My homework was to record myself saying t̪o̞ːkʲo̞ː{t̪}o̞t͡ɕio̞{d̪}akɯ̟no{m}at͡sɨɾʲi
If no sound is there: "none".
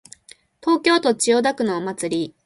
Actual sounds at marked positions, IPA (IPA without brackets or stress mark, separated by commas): t̪, d̪, m